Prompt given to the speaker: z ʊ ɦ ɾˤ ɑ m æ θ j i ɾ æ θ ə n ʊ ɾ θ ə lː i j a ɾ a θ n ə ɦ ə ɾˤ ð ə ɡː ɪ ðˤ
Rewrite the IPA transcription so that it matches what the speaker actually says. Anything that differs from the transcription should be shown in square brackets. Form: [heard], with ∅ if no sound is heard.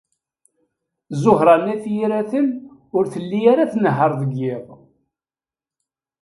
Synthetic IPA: z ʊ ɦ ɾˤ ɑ [n] æ θ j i ɾ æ θ ə n ʊ ɾ θ ə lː i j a ɾ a θ n ə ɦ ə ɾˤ ð ə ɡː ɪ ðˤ